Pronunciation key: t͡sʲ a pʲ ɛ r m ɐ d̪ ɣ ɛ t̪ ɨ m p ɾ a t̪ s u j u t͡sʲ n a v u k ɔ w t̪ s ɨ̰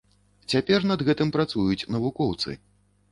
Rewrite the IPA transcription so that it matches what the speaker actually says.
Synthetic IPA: t͡sʲ a pʲ ɛ r n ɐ d̪ ɣ ɛ t̪ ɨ m p ɾ a t̪ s u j u t͡sʲ n ɐ v u k ɔ w t̪ s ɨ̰